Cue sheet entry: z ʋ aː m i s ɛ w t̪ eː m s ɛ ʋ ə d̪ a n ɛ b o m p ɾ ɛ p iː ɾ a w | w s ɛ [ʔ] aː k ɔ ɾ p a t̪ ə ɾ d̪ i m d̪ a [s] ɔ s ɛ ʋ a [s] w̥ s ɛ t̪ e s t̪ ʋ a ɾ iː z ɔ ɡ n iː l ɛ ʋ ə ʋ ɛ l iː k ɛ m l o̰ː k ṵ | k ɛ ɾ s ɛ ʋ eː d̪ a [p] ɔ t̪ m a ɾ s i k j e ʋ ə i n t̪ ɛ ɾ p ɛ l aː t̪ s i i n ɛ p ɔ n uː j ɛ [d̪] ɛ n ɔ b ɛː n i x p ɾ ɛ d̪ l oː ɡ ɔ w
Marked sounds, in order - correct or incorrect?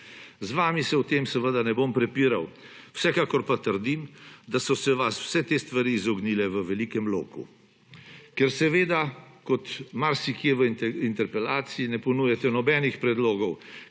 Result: incorrect: k, correct, correct, incorrect: k, incorrect: t̪

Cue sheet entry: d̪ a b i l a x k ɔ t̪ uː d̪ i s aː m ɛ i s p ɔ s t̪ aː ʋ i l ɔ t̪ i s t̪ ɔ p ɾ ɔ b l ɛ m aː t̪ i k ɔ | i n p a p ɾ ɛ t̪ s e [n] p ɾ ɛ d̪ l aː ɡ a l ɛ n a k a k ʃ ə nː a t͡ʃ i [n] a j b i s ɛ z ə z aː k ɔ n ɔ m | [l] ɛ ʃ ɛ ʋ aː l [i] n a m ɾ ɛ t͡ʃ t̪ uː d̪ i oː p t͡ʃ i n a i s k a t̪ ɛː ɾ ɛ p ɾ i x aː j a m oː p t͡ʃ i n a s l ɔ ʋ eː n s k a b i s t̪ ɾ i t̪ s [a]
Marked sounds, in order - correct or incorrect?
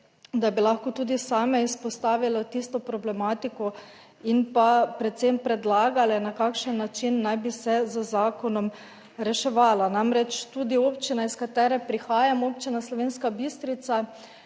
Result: incorrect: m, incorrect: nː, incorrect: ɾ, incorrect: a, correct

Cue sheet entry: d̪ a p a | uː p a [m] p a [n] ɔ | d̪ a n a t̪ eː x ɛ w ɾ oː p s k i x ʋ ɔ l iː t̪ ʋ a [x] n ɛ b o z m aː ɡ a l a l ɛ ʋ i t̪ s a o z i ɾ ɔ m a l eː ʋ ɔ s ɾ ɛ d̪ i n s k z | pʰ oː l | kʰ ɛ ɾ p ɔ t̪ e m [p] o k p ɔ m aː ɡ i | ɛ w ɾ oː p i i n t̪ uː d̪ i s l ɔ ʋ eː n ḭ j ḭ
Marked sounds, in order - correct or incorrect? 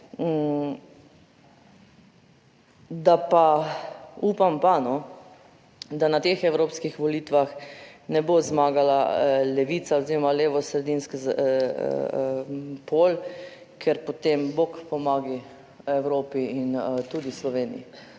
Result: correct, correct, correct, incorrect: b

